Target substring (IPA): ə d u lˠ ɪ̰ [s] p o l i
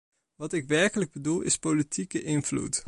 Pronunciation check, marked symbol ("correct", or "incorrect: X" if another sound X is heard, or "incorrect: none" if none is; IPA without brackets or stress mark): correct